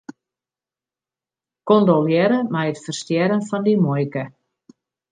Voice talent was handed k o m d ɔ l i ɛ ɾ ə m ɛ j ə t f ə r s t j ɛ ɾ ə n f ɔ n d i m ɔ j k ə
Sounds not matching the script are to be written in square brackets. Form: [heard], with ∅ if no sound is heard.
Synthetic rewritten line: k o [n] d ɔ l [j] ɛ ɾ ə m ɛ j ə t f ə r s t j ɛ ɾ ə n f ɔ n d i m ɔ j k ə